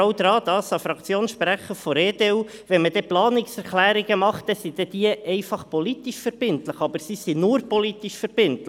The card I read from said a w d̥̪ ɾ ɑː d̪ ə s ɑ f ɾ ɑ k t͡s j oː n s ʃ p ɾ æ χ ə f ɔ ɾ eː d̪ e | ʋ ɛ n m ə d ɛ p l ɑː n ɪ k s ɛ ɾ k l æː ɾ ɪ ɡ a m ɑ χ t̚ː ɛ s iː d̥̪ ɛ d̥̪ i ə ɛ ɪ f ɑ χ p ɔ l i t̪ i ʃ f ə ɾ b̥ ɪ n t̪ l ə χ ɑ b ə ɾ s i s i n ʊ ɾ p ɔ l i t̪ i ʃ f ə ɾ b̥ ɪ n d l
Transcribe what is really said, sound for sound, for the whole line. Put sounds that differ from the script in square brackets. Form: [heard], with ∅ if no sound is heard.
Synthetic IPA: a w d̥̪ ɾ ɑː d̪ [ɑ] s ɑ f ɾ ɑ k t͡s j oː n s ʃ p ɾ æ χ ə f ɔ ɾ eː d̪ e | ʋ ɛ n m ə d ɛ p l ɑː n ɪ k s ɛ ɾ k l æː ɾ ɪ ɡ [ə] m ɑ χ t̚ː ɛ s [i] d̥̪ ɛ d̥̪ i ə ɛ ɪ f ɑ χ p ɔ l i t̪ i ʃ f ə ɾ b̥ ɪ n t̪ l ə χ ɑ b ə ɾ s i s i n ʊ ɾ p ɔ l i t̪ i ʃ f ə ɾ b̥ ɪ n [t] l